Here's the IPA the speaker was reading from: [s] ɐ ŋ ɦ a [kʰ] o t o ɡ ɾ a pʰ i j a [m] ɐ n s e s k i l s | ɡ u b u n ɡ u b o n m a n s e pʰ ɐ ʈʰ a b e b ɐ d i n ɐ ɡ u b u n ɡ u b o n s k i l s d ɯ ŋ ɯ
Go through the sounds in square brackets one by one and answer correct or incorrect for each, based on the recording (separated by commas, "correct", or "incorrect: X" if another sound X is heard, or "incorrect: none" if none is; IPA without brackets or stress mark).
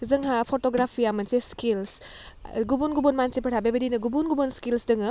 incorrect: z, incorrect: pʰ, correct